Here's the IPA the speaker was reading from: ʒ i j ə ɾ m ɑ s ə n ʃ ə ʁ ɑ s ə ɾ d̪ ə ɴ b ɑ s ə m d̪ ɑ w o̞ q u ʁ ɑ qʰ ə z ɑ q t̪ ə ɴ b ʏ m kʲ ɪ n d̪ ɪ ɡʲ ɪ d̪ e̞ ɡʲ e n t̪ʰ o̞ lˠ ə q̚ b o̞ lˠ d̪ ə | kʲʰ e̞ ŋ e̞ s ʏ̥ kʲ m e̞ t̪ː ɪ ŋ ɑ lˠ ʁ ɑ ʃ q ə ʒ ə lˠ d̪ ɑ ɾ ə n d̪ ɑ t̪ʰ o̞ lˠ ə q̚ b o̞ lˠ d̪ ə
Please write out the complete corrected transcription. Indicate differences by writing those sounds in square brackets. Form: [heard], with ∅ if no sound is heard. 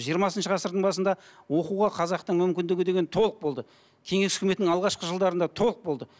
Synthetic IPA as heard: ʒ i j ə ɾ m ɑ s ə n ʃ ə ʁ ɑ s ə ɾ d̪ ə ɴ b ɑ s ə [n] d̪ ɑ w o̞ q u ʁ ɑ qʰ [ɑ] z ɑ q t̪ ə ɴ [m] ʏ m kʲ ɪ n d̪ ɪ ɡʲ ɪ d̪ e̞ ɡʲ e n t̪ʰ o̞ lˠ ə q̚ b o̞ lˠ d̪ ə | kʲʰ e̞ ŋ e̞ s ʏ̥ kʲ m e̞ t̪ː ɪ ŋ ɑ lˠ ʁ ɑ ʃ q ə ʒ ə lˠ d̪ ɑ ɾ ə n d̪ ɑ t̪ʰ o̞ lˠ ə q̚ b o̞ lˠ d̪ ə